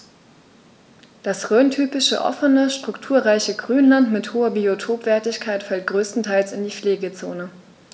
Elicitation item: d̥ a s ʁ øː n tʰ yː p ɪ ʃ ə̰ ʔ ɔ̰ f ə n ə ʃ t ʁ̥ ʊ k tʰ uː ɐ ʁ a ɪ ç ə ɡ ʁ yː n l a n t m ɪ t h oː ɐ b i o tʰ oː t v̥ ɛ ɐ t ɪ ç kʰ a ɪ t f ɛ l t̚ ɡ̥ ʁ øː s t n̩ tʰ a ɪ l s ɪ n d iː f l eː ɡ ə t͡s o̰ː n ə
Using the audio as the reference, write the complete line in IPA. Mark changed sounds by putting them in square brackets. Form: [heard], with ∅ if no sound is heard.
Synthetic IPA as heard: d̥ a s ʁ øː n tʰ yː p ɪ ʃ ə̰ ʔ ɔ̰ f ə n ə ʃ t ʁ̥ ʊ k tʰ uː ɐ ʁ a ɪ ç ə ɡ ʁ yː n l a n t m ɪ t h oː ɐ b i o tʰ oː [p] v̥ ɛ ɐ t ɪ ç kʰ a ɪ t f ɛ l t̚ ɡ̥ ʁ øː s t n̩ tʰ a ɪ l s ɪ n d iː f l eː ɡ ə t͡s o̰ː n ə

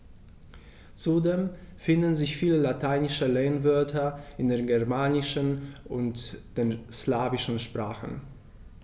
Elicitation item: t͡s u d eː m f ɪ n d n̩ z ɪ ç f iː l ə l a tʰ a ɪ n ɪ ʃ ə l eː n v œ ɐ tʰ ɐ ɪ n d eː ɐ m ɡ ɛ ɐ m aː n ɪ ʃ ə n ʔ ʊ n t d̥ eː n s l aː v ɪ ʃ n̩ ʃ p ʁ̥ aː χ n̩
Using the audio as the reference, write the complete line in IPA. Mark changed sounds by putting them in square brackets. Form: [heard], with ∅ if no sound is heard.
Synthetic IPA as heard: t͡s u d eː m f ɪ n d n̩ z ɪ ç f iː l ə l a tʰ a ɪ n ɪ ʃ ə l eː n v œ ɐ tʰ ɐ ɪ n d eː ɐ [n] ɡ ɛ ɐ m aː n ɪ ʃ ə n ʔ ʊ n t d̥ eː n s l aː v ɪ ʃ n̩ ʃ p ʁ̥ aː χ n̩

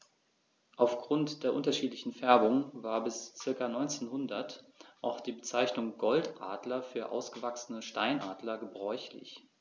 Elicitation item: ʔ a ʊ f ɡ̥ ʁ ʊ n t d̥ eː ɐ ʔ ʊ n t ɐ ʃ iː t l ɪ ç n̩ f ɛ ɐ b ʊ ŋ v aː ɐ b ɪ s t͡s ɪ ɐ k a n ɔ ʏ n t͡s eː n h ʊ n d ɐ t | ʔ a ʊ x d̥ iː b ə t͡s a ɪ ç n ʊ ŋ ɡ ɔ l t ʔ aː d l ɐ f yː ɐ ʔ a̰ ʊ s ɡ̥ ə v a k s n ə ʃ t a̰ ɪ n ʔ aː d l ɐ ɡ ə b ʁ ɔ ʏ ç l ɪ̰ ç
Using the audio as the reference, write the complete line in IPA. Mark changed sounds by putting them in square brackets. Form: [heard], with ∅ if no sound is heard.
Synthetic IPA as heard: ʔ a ʊ f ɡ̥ ʁ ʊ n t d̥ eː ɐ ʔ ʊ n t ɐ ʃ iː t l ɪ ç n̩ f ɛ ɐ b ʊ ŋ v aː ɐ b ɪ s t͡s ɪ ɐ k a n ɔ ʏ n t͡s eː n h ʊ n d ɐ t | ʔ a ʊ x d̥ iː b ə t͡s a ɪ ç n ʊ ŋ ɡ ɔ l t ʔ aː d l ɐ f yː ɐ ʔ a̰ ʊ s ɡ̥ ə v a k s n ə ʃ t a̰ ɪ n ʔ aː d l ɐ ɡ ə b ʁ ɔ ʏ ç l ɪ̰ ç

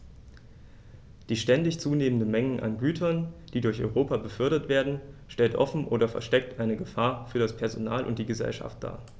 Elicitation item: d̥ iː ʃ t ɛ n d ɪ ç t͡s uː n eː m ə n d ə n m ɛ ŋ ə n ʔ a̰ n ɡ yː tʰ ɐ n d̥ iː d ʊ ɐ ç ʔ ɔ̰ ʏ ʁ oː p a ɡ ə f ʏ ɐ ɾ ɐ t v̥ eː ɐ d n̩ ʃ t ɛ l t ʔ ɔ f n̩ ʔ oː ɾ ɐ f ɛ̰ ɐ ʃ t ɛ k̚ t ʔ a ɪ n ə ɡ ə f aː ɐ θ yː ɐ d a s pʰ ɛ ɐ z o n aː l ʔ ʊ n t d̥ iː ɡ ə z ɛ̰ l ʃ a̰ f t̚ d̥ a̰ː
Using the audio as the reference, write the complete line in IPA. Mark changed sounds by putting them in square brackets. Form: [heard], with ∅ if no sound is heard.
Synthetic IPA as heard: d̥ iː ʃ t ɛ n d ɪ ç t͡s uː n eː m ə n d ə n m ɛ ŋ ə n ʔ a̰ n ɡ yː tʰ ɐ n d̥ iː d ʊ ɐ ç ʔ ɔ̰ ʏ ʁ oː p a [b] ə f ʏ ɐ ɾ ɐ t v̥ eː ɐ d n̩ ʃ t ɛ l t ʔ ɔ f n̩ ʔ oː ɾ ɐ f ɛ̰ ɐ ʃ t ɛ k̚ t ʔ a ɪ n ə ɡ ə f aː ɐ [f] yː ɐ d a s pʰ ɛ ɐ z o n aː l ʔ ʊ n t d̥ iː ɡ ə z ɛ̰ l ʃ a̰ f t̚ d̥ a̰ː

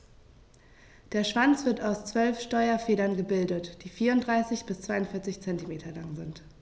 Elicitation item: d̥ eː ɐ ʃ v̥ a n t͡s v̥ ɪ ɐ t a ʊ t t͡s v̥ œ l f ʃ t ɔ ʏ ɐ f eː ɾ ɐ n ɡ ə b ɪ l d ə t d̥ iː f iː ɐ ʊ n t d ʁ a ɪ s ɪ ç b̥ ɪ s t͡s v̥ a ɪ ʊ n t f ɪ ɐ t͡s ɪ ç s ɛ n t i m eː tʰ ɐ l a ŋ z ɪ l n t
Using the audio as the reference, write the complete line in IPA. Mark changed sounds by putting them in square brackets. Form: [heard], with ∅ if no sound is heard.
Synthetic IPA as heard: d̥ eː ɐ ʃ v̥ a n t͡s v̥ ɪ ɐ t a ʊ [s] t͡s v̥ œ l f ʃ t ɔ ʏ ɐ f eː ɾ ɐ n ɡ ə b ɪ l d ə t d̥ iː f iː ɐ ʊ n t d ʁ a ɪ s ɪ ç b̥ ɪ s t͡s v̥ a ɪ ʊ n t f ɪ ɐ t͡s ɪ ç [t͡s] ɛ n t i m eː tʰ ɐ l a ŋ z ɪ [∅] n t

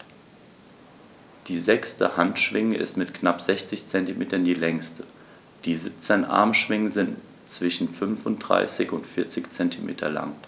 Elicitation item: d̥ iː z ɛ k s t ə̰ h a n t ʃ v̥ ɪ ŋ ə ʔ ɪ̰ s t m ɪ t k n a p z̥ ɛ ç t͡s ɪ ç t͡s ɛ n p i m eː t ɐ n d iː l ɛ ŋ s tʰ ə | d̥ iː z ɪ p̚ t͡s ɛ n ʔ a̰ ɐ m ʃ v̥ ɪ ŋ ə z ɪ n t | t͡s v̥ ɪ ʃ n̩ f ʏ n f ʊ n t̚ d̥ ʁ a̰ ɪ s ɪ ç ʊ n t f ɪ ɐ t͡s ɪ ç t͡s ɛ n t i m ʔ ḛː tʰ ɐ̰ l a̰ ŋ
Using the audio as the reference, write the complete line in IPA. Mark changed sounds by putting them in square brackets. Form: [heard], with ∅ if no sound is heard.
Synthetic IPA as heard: d̥ iː z ɛ k s t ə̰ h a n t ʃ v̥ ɪ ŋ ə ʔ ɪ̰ s t m ɪ t k n a p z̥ ɛ ç t͡s ɪ ç t͡s ɛ n [t] i m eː t ɐ n d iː l ɛ ŋ s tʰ ə | d̥ iː z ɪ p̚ t͡s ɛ n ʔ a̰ ɐ m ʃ v̥ ɪ ŋ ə z ɪ n t | t͡s v̥ ɪ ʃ n̩ f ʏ n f ʊ n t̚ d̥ ʁ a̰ ɪ s ɪ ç ʊ n t f ɪ ɐ t͡s ɪ ç t͡s ɛ n t i m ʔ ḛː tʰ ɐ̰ l a̰ ŋ

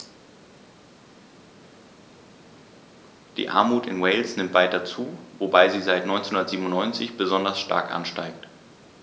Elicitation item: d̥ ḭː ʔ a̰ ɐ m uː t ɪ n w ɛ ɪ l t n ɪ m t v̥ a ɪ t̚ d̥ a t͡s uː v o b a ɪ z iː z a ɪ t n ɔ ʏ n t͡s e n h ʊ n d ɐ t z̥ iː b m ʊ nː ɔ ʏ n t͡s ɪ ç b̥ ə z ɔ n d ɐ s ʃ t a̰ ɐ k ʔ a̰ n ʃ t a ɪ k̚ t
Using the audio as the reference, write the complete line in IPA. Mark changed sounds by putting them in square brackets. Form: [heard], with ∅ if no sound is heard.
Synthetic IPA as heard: d̥ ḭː ʔ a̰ ɐ m uː t ɪ n w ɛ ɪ l [s] n ɪ m t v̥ a ɪ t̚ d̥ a t͡s uː v o b a ɪ z iː z a ɪ t n ɔ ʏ n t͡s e n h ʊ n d ɐ t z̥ iː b m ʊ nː ɔ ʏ n t͡s ɪ ç b̥ ə z ɔ n d ɐ s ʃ t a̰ ɐ k ʔ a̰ n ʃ t a ɪ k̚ t

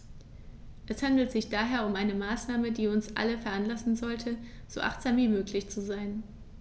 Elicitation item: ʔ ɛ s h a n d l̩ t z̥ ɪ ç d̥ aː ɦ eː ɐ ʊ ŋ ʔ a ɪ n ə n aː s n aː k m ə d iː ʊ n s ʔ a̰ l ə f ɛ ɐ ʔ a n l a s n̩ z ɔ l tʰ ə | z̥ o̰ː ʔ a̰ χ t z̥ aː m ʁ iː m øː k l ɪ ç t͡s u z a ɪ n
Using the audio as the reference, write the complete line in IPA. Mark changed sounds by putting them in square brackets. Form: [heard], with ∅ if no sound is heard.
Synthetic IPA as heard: ʔ ɛ s h a n d l̩ t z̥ ɪ ç d̥ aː ɦ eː ɐ ʊ [m] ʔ a ɪ n ə [m] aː s n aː [∅] m ə d iː ʊ n s ʔ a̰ l ə f ɛ ɐ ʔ a n l a s n̩ z ɔ l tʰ ə | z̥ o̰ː ʔ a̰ χ t z̥ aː m [v] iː m øː k l ɪ ç t͡s u z a ɪ n

